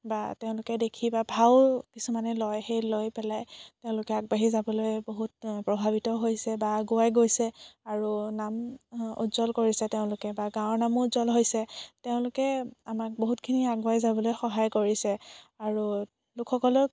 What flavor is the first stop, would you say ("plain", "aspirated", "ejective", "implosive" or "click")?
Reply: plain